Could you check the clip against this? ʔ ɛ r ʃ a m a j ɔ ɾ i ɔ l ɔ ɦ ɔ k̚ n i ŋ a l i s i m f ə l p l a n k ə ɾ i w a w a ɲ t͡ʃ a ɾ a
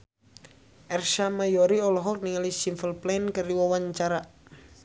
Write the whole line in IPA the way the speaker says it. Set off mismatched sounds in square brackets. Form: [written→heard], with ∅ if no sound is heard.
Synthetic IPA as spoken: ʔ ɛ r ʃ a m a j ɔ ɾ i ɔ l ɔ ɦ ɔ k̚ n i ŋ a l i s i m f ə l p l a n k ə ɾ i w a w a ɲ t͡ʃ a ɾ a